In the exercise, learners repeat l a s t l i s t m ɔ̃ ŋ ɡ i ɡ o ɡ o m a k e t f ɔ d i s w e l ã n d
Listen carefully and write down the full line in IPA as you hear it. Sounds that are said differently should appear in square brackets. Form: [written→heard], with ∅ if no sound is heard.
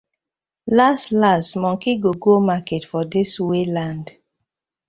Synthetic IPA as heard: l a s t l [i→a] s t m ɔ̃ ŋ [ɡ→k] i ɡ o ɡ o m a k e t f ɔ d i s w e l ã n d

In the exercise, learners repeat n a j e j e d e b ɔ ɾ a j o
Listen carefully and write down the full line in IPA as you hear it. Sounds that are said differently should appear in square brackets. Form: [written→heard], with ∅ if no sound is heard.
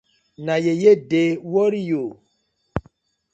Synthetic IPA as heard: n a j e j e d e [b→w] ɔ ɾ [a→i] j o

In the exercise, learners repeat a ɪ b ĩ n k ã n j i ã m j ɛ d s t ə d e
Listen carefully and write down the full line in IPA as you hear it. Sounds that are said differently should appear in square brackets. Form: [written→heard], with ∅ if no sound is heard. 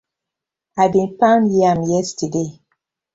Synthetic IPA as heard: a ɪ b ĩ n [k→p] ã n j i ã m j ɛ [d→∅] s t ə d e

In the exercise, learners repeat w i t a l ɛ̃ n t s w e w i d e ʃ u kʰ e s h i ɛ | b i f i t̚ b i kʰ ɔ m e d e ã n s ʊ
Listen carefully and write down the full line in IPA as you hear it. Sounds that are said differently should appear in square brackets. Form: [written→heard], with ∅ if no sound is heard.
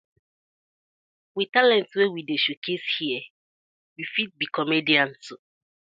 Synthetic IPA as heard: w i t a l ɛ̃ n t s w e w i d e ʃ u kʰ e s h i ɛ | [b→w] i f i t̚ b i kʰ ɔ m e d [e→i] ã n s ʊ

